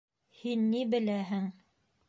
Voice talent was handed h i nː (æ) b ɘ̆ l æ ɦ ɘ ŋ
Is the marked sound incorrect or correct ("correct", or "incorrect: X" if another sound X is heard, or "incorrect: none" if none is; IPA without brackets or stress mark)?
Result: incorrect: i